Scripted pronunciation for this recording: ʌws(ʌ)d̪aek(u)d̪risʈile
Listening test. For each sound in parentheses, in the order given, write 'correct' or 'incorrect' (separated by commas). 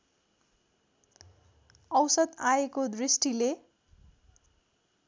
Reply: correct, incorrect